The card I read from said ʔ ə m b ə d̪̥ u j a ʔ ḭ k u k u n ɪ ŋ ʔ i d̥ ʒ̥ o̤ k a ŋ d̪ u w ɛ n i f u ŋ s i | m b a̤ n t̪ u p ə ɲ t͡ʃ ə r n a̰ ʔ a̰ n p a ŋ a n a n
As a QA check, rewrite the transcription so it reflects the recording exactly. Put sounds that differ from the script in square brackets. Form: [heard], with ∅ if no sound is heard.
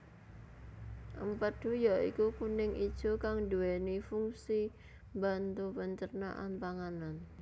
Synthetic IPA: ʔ ə m [p] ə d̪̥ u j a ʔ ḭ k u k u n ɪ ŋ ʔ i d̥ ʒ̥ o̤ k a ŋ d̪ u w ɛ n i f u ŋ s i | m b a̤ n t̪ u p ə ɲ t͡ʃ ə r n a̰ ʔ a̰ n p a ŋ a n a n